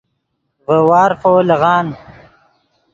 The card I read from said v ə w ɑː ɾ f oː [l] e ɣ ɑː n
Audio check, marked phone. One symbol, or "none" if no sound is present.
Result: l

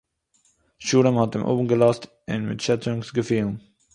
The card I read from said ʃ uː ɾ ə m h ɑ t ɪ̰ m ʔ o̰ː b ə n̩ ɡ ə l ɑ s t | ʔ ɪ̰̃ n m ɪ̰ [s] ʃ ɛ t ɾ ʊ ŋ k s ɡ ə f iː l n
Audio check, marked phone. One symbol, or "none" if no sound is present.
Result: t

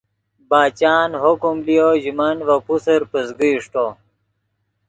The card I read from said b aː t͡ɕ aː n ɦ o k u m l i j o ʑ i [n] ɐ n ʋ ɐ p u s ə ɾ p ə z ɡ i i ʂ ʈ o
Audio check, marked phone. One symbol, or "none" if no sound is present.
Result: m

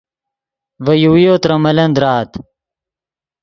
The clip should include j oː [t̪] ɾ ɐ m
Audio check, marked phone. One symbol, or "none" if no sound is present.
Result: t̪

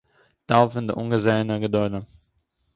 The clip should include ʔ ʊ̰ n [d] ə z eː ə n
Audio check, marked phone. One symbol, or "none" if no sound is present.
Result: ɡ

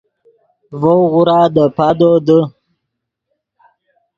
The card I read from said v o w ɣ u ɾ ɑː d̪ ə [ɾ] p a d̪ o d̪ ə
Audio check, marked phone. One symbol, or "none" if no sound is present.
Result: none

